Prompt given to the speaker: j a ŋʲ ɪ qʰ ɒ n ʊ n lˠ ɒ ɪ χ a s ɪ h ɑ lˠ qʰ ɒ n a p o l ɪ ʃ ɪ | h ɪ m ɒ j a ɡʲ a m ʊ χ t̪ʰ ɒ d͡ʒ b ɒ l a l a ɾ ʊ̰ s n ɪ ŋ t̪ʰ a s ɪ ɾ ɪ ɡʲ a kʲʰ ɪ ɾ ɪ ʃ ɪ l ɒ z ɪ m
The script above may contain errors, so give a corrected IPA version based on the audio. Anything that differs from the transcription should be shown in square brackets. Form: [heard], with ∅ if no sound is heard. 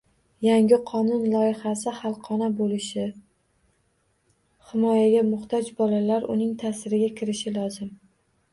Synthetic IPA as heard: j a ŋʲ ɪ qʰ ɒ n ʊ n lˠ ɒ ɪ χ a s ɪ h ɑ lˠ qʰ ɒ n a [b] o l ɪ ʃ ɪ | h ɪ m ɒ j a ɡʲ a m ʊ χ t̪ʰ ɒ d͡ʒ b ɒ l a l a ɾ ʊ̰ [∅] n ɪ ŋ t̪ʰ a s ɪ ɾ ɪ ɡʲ a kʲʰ ɪ ɾ ɪ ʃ ɪ l ɒ z ɪ m